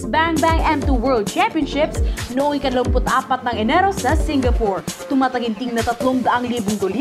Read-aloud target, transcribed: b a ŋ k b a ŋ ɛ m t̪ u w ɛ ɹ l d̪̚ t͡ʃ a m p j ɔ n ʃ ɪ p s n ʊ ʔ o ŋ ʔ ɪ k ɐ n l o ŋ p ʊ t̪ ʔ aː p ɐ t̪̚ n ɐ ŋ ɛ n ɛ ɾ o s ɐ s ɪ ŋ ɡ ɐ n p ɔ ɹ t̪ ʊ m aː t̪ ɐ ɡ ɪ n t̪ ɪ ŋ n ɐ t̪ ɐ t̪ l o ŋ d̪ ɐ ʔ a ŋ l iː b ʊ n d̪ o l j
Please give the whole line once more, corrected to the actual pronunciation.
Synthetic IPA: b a ŋ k b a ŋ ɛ m t̪ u w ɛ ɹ l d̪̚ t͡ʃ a m p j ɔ n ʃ ɪ p s n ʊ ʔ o ŋ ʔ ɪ k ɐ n l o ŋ p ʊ t̪ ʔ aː p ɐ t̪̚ n ɐ ŋ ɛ n ɛ ɾ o s ɐ s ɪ ŋ ɡ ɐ p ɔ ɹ t̪ ʊ m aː t̪ ɐ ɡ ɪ n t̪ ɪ ŋ n ɐ t̪ ɐ t̪ l o ŋ d̪ ɐ ʔ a ŋ l iː b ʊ ŋ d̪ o l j